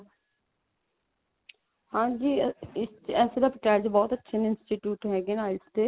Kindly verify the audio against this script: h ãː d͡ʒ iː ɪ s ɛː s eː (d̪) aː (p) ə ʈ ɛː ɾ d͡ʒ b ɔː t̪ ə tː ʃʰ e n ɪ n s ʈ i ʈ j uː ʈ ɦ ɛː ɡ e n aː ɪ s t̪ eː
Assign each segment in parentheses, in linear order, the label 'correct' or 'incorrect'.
correct, correct

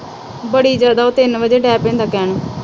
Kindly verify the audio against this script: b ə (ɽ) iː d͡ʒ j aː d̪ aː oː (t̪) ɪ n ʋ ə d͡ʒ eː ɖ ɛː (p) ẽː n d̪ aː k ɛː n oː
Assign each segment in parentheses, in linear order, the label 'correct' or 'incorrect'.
correct, correct, correct

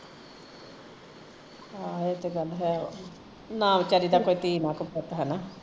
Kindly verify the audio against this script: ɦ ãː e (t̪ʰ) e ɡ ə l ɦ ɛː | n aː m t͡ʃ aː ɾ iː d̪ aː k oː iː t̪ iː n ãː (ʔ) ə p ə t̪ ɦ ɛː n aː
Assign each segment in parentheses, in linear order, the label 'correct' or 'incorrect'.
incorrect, incorrect

